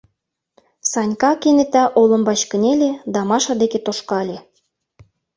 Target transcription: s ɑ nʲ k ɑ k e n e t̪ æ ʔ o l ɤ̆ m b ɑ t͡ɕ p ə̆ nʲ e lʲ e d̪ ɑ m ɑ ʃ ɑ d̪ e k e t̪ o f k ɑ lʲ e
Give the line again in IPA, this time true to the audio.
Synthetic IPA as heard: s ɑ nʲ k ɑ k e n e t̪ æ ʔ o l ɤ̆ m b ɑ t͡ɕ k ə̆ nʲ e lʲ e d̪ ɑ m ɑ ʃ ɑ d̪ e k e t̪ o ʃ k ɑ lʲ e